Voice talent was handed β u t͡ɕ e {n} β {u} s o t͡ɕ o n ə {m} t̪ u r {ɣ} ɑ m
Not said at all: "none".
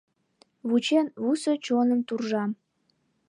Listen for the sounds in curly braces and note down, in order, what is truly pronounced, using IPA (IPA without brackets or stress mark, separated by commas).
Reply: n, u, m, ʒ